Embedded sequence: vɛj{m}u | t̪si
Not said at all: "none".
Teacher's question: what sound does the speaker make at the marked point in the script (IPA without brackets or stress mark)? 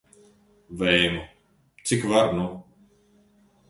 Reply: m